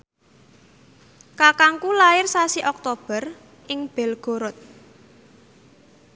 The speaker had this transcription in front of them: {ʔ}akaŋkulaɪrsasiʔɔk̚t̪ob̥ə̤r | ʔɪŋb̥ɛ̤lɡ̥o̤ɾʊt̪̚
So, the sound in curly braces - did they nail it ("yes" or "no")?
no